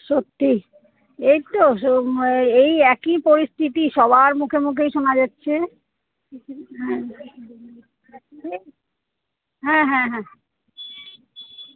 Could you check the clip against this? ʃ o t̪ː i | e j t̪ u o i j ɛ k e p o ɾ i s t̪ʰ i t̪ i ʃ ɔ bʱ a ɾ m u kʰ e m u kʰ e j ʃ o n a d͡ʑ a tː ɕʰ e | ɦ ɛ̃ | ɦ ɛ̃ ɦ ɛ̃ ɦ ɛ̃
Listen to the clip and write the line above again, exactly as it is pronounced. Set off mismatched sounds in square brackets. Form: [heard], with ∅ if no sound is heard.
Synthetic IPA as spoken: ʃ o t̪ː i | e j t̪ [o] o [e] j ɛ k [i] p o ɾ i s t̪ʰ i t̪ i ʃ ɔ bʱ a ɾ m u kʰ e m u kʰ e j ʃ o n a d͡ʑ a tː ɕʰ e | ɦ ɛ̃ | ɦ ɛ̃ ɦ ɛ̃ ɦ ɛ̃